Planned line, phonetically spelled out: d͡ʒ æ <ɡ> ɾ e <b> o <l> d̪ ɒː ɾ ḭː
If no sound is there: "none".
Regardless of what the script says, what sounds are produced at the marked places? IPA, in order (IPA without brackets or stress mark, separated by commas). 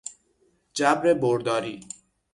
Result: b, b, ɾ